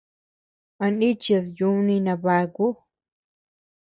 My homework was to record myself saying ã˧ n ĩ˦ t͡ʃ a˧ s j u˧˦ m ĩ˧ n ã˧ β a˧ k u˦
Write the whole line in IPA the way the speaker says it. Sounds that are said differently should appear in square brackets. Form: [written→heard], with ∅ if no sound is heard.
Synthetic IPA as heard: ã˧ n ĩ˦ t͡ʃ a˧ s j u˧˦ [m→n] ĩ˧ n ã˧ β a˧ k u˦